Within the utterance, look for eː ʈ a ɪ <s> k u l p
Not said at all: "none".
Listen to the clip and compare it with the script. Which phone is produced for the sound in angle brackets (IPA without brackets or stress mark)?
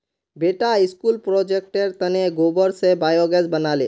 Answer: s